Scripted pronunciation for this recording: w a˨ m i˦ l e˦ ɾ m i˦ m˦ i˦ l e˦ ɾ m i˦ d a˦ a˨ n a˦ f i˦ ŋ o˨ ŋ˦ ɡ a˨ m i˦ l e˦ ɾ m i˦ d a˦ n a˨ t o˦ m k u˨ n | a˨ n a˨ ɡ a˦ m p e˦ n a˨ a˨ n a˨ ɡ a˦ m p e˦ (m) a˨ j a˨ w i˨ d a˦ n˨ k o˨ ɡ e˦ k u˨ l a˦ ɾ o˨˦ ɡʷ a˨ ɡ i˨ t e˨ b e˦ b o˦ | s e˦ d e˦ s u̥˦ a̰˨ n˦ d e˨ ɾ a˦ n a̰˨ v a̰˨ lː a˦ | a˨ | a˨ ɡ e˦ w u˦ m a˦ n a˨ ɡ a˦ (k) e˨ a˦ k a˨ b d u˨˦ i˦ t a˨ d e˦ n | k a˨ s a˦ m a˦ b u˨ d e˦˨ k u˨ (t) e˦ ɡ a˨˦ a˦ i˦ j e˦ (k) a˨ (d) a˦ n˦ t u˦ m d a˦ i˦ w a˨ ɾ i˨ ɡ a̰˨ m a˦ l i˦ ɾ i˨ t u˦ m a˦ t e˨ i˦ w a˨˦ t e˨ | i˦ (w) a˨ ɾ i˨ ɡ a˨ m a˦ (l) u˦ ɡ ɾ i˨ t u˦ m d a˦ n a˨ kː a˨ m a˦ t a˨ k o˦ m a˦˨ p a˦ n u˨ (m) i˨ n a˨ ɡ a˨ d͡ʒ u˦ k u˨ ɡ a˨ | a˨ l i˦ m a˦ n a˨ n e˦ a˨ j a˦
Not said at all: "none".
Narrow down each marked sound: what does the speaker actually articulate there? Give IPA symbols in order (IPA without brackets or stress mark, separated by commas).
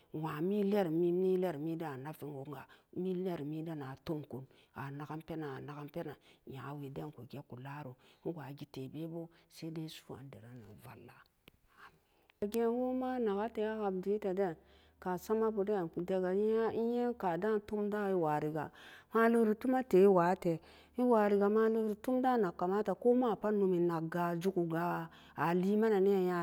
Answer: n, t, d, k, d, w, l, m